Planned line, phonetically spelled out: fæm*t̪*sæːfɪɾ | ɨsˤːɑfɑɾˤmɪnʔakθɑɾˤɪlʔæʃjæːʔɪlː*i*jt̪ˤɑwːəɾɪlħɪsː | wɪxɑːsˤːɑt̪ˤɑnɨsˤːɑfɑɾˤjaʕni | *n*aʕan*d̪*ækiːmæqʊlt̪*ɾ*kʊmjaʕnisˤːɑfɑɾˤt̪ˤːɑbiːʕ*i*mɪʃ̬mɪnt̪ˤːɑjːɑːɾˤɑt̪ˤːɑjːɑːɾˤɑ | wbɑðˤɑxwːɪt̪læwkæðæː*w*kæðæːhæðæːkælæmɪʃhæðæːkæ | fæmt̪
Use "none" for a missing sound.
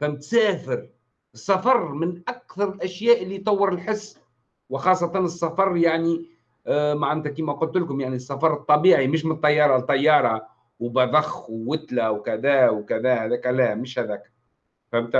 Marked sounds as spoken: t̪, i, m, t̪, l, i, w

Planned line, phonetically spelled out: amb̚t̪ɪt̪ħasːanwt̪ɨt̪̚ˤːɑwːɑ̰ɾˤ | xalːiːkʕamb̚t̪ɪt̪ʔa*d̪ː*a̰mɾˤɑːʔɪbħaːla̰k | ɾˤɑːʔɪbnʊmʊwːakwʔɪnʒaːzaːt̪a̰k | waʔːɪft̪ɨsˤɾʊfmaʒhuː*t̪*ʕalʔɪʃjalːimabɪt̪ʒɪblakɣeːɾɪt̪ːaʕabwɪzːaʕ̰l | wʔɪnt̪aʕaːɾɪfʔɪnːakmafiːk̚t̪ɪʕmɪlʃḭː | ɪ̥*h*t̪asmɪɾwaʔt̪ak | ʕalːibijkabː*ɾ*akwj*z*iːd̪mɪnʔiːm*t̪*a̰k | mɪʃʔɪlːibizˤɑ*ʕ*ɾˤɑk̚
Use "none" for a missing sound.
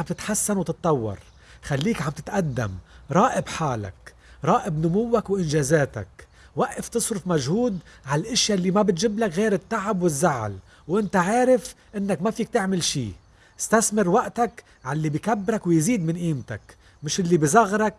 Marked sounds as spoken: d̪ː, d̪, s, ɾ, z, t̪, ɣ

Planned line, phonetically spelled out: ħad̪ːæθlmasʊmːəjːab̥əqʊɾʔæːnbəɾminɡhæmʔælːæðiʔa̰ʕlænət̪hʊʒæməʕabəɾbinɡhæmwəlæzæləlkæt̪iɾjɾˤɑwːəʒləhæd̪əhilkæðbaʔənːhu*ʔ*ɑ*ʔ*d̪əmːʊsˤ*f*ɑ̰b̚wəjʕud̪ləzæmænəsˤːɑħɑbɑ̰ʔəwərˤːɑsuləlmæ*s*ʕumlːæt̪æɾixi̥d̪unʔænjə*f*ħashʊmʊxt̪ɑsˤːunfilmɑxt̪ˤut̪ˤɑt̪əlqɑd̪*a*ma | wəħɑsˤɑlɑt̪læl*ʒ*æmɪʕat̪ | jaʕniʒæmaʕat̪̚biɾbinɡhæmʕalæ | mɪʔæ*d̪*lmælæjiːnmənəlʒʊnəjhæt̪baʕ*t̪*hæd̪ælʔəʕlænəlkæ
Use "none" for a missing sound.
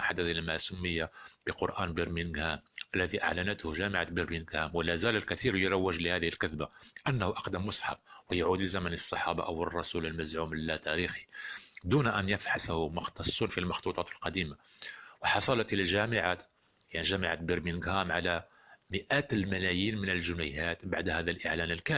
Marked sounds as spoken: ʔ, q, ħ, z, f, i, ʒ, t̪, d̪

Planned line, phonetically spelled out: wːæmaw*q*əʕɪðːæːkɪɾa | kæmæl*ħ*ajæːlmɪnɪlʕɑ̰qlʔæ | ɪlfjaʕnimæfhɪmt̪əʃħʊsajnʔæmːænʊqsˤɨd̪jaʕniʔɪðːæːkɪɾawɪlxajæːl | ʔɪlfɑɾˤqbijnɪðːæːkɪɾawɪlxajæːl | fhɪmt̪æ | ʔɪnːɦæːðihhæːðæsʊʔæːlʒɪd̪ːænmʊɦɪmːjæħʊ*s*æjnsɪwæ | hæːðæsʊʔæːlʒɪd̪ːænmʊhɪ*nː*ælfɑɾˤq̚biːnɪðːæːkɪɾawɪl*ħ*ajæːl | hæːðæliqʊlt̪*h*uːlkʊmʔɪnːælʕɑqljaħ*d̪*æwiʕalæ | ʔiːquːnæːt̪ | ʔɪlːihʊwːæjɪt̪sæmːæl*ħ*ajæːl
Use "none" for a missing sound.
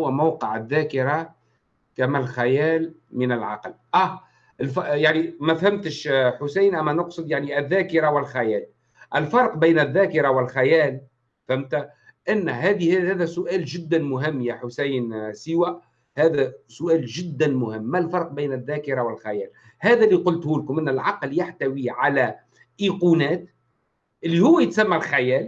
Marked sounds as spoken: q, x, s, mː, x, h, t̪, x

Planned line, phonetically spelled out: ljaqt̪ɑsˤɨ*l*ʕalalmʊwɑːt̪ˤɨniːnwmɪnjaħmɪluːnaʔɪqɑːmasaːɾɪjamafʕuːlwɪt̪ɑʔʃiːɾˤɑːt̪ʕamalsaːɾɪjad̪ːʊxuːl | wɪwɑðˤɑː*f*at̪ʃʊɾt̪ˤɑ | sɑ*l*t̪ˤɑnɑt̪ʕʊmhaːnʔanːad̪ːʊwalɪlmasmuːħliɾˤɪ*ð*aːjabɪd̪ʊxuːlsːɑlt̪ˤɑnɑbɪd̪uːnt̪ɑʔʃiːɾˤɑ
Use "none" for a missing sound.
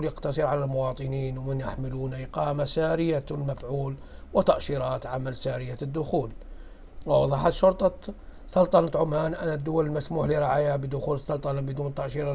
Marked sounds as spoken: ɾ, ħ, l, ʕ

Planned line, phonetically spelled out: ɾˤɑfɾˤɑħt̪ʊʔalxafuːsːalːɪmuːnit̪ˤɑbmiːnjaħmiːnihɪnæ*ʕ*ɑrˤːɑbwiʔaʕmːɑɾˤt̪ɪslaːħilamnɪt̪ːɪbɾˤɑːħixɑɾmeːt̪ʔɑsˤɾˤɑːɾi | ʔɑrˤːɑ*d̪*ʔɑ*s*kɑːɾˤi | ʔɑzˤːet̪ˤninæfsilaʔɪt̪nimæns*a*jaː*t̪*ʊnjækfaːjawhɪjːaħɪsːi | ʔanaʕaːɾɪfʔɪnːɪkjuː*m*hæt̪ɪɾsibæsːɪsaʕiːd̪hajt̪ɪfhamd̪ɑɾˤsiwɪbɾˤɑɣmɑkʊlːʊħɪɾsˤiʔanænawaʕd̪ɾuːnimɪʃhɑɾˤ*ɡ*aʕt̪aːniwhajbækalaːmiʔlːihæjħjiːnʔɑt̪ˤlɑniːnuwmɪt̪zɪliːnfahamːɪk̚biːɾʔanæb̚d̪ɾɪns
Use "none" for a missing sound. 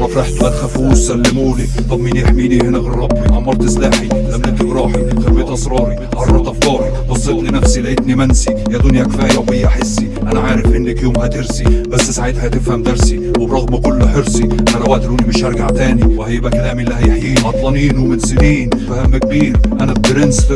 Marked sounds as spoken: ɣ, t̪, f, i, d̪, m, ɡ

